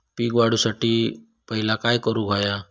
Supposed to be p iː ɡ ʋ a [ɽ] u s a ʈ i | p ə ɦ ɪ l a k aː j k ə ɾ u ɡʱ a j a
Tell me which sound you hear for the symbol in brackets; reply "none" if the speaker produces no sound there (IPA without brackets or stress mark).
ɽ